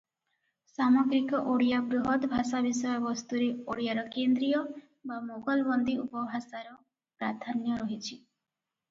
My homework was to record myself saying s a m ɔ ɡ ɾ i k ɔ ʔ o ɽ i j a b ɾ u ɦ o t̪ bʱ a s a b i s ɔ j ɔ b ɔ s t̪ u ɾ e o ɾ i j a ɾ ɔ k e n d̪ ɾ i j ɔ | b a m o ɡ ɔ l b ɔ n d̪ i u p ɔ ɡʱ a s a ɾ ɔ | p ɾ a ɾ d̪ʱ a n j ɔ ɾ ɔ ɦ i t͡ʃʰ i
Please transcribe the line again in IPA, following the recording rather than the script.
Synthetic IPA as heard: s a m ɔ ɡ ɾ i k ɔ ʔ o ɽ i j a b ɾ u ɦ ɔ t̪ bʱ a s a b i s ɔ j ɔ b ɔ s t̪ u ɾ e o ɽ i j a ɾ ɔ k e n d̪ ɾ i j ɔ | b a m o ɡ ɔ l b ɔ n d̪ i u p ɔ bʱ a s a ɾ ɔ | p ɾ a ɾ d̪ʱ a n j ɔ ɾ ɔ ɦ i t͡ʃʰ i